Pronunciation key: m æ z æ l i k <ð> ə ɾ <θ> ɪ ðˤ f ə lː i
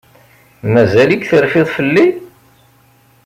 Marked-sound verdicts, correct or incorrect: incorrect, incorrect

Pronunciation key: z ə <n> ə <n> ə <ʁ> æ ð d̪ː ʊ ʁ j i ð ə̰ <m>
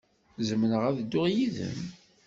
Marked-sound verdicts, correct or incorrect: incorrect, correct, correct, correct

